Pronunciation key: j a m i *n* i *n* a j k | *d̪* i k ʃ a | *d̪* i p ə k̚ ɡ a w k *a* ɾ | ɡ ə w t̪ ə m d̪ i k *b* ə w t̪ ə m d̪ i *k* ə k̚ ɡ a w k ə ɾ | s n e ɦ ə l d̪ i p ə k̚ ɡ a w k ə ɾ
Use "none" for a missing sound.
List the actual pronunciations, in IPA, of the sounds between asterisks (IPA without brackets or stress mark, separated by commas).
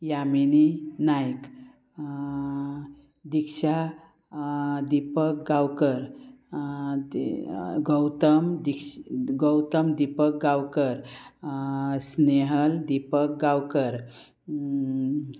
n, n, d̪, d̪, ə, ɡ, p